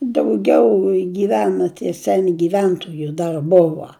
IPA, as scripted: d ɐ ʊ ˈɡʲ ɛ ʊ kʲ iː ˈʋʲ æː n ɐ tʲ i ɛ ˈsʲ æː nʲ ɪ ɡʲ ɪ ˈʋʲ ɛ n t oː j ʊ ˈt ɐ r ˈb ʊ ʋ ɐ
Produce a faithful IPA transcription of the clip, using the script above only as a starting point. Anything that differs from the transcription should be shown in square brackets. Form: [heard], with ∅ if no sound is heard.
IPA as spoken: d ɐ ʊ ˈɡʲ ɛ ʊ [ɡʲ] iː ˈʋʲ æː n ɐ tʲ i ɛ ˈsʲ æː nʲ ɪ ɡʲ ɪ ˈʋʲ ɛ n t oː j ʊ [ˈd] ɐ r ˈb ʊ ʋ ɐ